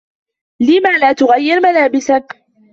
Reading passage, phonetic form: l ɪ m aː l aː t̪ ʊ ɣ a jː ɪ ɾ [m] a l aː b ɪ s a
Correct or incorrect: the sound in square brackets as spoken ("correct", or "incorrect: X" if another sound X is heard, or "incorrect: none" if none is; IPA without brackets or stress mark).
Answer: correct